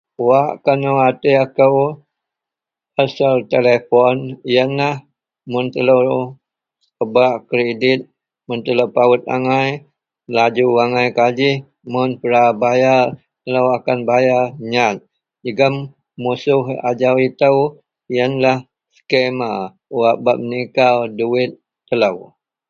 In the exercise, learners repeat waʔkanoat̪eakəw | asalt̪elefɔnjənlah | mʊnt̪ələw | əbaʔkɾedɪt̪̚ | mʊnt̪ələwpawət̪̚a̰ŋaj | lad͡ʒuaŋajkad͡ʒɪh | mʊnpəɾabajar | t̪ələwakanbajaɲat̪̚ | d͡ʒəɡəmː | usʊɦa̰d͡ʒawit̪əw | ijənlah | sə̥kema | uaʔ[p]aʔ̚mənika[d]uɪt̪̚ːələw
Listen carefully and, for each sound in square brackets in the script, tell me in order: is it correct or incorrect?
incorrect, correct

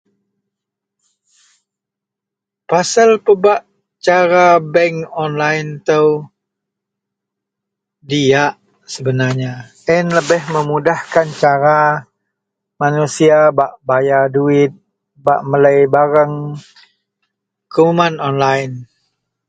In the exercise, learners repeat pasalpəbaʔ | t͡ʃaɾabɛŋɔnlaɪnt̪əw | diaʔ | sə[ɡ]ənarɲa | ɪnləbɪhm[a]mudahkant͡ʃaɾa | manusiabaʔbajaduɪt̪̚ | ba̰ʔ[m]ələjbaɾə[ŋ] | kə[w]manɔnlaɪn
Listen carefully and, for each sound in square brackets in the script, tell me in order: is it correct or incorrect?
incorrect, incorrect, correct, correct, incorrect

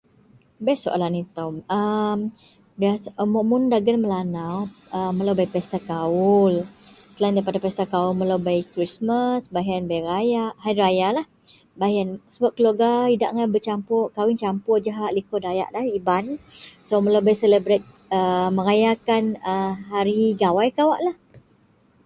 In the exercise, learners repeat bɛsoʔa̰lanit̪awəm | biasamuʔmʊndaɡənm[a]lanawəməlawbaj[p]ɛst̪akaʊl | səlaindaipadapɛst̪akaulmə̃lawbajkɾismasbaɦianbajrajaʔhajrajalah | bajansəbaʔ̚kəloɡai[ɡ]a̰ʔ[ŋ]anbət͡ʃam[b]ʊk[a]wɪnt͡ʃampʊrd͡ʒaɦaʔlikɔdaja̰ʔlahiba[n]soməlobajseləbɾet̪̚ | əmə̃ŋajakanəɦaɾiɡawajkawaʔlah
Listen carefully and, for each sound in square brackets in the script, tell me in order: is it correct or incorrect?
incorrect, correct, incorrect, correct, incorrect, correct, correct

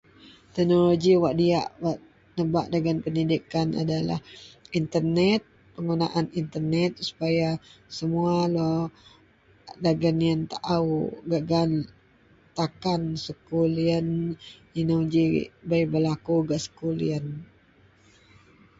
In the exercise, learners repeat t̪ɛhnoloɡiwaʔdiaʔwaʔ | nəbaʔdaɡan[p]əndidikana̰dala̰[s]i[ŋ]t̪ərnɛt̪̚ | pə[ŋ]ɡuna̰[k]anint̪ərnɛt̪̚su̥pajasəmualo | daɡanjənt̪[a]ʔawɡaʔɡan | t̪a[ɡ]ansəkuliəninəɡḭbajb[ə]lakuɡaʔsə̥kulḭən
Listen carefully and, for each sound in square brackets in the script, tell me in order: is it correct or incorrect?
correct, incorrect, incorrect, correct, incorrect, correct, incorrect, correct

